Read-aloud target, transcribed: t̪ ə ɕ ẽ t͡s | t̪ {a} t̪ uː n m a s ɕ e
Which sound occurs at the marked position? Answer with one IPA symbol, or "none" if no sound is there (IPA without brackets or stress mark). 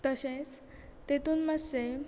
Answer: e